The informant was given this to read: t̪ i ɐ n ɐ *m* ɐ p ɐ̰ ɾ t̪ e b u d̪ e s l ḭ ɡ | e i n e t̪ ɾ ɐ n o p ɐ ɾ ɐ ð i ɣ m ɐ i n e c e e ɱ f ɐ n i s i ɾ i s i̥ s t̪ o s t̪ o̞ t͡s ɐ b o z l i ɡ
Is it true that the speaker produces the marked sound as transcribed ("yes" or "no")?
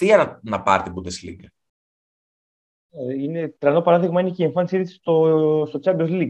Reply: no